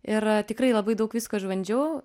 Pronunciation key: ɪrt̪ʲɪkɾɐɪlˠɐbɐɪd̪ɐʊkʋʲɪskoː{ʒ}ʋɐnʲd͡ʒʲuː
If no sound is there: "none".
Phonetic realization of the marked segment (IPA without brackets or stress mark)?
ʒ